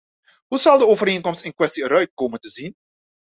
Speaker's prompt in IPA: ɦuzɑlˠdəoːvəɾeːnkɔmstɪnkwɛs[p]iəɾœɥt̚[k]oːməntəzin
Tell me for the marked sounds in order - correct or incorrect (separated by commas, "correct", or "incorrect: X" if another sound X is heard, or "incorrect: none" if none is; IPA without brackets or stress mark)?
incorrect: t, correct